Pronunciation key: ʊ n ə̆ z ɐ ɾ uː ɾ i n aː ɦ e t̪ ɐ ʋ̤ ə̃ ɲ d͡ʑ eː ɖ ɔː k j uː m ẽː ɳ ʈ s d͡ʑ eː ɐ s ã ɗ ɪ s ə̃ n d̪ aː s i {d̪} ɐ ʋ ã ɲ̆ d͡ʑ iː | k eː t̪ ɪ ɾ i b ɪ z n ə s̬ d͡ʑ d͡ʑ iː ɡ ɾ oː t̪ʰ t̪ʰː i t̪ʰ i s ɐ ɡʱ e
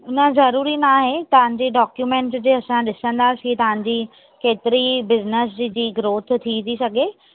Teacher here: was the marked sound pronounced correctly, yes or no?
no